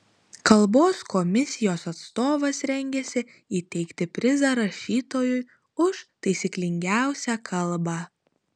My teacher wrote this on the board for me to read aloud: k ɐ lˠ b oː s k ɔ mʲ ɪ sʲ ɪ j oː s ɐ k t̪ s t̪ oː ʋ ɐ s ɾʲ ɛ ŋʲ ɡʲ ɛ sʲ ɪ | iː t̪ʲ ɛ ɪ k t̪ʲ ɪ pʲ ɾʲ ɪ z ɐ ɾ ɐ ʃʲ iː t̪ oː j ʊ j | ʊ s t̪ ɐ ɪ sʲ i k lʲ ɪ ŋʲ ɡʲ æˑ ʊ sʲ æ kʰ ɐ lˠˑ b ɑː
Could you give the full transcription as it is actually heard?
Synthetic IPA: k ɐ lˠ b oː s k ɔ mʲ ɪ sʲ ɪ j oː s ɐ t̪ s t̪ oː ʋ ɐ s ɾʲ ɛ ŋʲ ɡʲ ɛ sʲ ɪ | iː t̪ʲ ɛ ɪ k t̪ʲ ɪ pʲ ɾʲ ɪ z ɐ ɾ ɐ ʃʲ iː t̪ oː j ʊ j | ʊ ʃ t̪ ɐ ɪ sʲ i k lʲ ɪ ŋʲ ɡʲ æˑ ʊ sʲ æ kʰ ɐ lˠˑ b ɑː

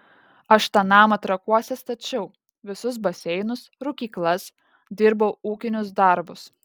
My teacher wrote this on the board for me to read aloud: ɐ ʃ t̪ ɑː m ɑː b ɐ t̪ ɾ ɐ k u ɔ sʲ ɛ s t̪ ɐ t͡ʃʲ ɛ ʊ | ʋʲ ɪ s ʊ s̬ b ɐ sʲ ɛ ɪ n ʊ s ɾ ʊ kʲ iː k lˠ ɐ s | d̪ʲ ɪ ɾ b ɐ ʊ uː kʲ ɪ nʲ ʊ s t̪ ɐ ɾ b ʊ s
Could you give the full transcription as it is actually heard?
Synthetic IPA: ɐ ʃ t̪ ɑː n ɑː m ɐ t̪ ɾ ɐ k u ɔ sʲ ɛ s t̪ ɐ t͡ʃʲ ɛ ʊ | ʋʲ ɪ s ʊ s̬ b ɐ sʲ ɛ ɪ n ʊ s ɾ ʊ kʲ iː k lˠ ɐ s | d̪ʲ ɪ ɾ b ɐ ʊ uː kʲ ɪ nʲ ʊ s d̪ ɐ ɾ b ʊ s

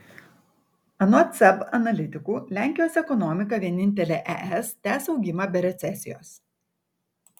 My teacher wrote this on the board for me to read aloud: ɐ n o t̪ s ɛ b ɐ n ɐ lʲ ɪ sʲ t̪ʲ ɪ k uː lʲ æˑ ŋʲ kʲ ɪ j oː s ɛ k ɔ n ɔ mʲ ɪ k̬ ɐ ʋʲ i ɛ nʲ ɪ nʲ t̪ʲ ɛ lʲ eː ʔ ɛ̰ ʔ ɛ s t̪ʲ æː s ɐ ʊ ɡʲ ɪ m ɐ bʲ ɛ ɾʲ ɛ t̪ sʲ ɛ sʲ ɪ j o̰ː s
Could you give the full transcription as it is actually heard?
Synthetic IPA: ɐ n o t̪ s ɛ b ɐ n ɐ lʲ ɪ t̪ʲ ɪ k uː lʲ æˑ ŋʲ kʲ ɪ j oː s ɛ k ɔ n ɔ mʲ ɪ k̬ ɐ ʋʲ i ɛ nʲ ɪ nʲ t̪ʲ ɛ lʲ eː ʔ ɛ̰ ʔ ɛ s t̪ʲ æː s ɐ ʊ ɡʲ ɪ m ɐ bʲ ɛ ɾʲ ɛ t̪ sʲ ɛ sʲ ɪ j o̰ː s

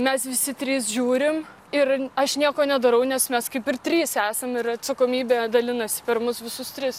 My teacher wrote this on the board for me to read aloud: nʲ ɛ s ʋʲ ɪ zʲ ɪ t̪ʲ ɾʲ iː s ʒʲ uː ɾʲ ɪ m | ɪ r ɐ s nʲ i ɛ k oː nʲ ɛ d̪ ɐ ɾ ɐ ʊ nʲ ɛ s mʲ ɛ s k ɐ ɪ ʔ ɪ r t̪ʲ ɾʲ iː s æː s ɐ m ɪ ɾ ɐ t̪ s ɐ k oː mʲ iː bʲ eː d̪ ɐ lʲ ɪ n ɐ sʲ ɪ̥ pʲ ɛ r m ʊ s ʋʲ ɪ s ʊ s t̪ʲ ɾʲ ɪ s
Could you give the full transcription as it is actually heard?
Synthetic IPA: mʲ ɛ s ʋʲ ɪ sʲ ɪ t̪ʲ ɾʲ iː s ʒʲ uː ɾʲ ɪ m | ɪ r ɐ ʃ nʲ i ɛ k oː nʲ ɛ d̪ ɐ ɾ ɐ ʊ nʲ ɛ s mʲ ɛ s k ɐ ɪ p ɪ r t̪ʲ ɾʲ iː s æː s ɐ m ɪ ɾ ɐ t̪ s ɐ k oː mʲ iː bʲ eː d̪ ɐ lʲ ɪ n ɐ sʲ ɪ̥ pʲ ɛ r m ʊ s ʋʲ ɪ s ʊ s t̪ʲ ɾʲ ɪ s

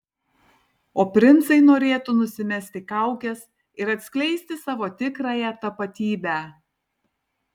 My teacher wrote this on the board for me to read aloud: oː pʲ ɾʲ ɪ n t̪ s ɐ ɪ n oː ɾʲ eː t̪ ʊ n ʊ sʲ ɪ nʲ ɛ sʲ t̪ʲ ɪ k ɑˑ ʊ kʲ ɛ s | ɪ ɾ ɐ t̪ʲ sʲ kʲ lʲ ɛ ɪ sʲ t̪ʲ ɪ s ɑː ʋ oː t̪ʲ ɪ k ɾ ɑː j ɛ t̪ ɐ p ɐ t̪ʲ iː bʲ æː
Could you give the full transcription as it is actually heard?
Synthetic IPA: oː pʲ ɾʲ ɪ n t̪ s ɐ ɪ n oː ɾʲ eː t̪ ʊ n ʊ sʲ ɪ mʲ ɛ sʲ t̪ʲ ɪ k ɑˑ ʊ kʲ ɛ s | ɪ ɾ ɐ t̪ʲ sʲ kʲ lʲ ɛ ɪ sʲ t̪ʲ ɪ s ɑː ʋ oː t̪ʲ ɪ k ɾ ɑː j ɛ t̪ ɐ p ɐ t̪ʲ iː bʲ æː

